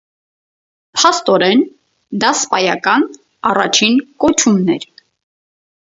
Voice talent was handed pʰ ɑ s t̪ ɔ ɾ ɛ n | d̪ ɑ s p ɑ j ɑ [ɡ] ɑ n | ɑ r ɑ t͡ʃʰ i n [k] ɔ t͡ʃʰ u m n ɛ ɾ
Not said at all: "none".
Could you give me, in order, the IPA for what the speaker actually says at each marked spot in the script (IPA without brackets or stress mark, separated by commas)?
k, k